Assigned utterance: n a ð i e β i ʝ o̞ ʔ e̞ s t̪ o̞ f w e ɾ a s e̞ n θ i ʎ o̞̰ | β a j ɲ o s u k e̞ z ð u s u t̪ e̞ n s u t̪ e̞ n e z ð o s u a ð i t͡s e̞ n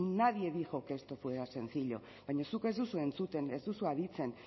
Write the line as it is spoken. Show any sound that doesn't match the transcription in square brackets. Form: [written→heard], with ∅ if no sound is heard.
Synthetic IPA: n a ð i e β i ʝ o̞ [ʔ→k] e̞ s t̪ o̞ f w e ɾ a s e̞ n θ i ʎ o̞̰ | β a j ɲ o s u k e̞ z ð u s u [t̪→∅] e̞ n [s→t͡s] u t̪ e̞ n e z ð [o→u] s u a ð i t͡s e̞ n